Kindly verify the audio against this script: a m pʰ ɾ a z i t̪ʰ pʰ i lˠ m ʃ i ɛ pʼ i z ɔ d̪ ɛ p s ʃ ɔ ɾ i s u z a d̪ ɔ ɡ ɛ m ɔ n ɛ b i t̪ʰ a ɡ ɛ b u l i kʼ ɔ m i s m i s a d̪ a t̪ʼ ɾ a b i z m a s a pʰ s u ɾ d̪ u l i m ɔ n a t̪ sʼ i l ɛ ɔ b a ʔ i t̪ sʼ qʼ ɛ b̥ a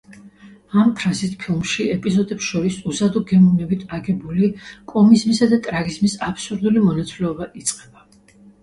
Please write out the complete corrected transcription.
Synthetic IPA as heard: a m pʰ ɾ a z i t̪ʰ pʰ i lˠ m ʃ i ɛ pʼ i z ɔ d̪ ɛ p s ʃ ɔ ɾ i s u z a d̪ ɔ ɡ ɛ m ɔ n ɛ b i t̪ʰ a ɡ ɛ b u l i kʼ ɔ m i z m i s a d̪ a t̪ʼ ɾ a ɡ i z m i s a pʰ s u ɾ d̪ u l i m ɔ n a t̪ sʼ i l ɛ ɔ b a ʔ i t̪ sʼ qʼ ɛ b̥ a